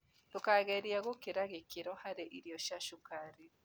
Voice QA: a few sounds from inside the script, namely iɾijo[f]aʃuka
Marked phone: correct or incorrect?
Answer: incorrect